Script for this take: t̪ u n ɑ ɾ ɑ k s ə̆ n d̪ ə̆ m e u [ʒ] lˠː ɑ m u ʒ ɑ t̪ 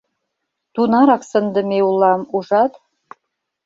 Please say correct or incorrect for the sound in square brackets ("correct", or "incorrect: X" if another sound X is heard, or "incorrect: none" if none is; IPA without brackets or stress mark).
incorrect: none